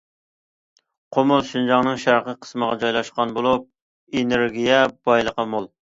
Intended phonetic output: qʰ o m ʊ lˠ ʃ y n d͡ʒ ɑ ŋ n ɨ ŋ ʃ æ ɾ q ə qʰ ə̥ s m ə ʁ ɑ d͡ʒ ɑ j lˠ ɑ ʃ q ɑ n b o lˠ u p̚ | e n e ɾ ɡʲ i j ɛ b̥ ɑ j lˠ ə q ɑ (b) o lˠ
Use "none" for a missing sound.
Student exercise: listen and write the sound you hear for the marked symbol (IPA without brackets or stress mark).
m